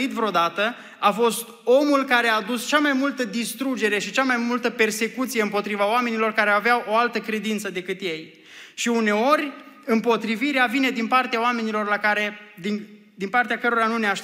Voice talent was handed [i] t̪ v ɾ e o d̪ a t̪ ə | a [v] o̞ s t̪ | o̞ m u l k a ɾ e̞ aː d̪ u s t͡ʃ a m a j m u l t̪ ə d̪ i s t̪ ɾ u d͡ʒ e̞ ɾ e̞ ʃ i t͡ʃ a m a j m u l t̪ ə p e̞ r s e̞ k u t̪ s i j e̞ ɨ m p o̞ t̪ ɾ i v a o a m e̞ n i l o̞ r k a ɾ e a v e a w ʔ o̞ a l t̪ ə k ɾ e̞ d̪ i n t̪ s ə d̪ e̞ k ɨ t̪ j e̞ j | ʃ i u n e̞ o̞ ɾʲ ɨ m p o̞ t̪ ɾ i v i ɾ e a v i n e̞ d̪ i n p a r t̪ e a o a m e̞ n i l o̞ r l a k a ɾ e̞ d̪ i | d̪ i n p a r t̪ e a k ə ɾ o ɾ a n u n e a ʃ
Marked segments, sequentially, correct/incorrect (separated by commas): correct, incorrect